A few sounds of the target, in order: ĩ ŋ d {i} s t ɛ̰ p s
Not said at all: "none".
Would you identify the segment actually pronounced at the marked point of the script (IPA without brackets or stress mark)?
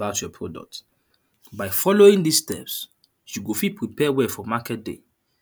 i